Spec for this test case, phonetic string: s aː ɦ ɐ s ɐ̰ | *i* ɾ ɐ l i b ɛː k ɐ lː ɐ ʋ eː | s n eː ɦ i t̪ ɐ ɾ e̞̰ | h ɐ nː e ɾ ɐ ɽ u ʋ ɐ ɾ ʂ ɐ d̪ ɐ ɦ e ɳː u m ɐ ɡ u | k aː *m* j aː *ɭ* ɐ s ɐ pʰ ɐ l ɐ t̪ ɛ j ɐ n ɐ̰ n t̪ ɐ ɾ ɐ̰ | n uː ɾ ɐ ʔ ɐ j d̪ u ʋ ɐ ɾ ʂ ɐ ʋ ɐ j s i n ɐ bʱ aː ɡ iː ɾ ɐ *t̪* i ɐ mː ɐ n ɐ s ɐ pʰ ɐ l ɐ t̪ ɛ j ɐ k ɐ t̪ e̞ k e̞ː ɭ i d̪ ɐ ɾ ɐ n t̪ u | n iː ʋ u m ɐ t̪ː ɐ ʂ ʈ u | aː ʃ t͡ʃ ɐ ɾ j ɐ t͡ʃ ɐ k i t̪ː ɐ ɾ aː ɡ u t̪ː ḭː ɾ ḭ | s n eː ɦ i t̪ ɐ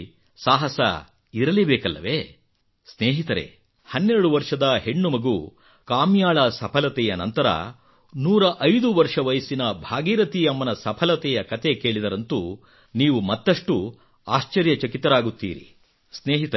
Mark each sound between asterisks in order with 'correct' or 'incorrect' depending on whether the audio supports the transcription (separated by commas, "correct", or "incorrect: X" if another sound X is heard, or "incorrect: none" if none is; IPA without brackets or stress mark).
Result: correct, correct, correct, correct